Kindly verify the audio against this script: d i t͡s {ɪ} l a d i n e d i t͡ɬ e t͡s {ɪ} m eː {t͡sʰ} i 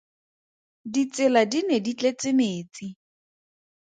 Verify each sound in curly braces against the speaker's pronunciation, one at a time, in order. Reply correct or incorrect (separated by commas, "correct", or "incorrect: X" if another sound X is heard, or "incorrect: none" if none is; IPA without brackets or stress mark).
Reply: correct, correct, incorrect: t͡s